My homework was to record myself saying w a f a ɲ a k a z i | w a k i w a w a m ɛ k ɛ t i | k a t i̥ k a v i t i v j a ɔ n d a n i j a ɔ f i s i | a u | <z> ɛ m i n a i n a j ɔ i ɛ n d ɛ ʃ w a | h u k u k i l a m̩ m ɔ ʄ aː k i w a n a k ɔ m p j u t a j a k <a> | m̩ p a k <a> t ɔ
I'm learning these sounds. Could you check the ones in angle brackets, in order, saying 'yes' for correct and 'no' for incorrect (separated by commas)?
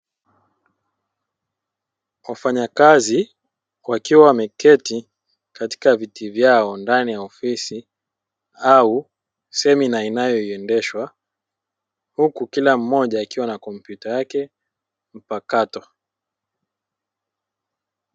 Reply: no, no, yes